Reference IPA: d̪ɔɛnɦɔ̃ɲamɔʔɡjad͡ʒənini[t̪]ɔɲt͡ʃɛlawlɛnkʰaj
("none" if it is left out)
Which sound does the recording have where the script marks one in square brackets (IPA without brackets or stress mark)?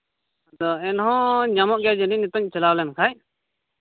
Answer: t̪